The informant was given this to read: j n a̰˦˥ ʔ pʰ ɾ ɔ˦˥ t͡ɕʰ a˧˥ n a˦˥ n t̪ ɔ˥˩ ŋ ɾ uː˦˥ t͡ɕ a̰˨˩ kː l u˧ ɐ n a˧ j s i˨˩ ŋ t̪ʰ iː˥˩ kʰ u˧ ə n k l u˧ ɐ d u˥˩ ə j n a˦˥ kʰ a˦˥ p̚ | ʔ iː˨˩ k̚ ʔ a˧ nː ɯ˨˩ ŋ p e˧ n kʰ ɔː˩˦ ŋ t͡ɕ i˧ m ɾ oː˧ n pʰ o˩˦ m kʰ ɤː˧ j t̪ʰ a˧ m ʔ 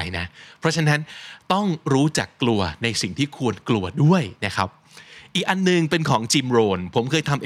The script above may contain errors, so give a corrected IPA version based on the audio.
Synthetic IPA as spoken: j n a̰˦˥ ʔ pʰ ɾ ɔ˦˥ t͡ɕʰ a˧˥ n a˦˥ n t̪ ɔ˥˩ ŋ ɾ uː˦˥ t͡ɕ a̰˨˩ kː l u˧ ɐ n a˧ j s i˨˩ ŋ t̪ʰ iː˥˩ kʰ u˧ ə n k l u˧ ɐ d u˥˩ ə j n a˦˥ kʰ a˦˥ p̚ | ʔ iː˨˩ k̚ ʔ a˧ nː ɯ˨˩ ŋ p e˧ n kʰ ɔː˩˦ ŋ t͡ɕ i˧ m ɾ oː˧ n pʰ o˩˦ m kʰ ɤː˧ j t̪ʰ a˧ m ʔ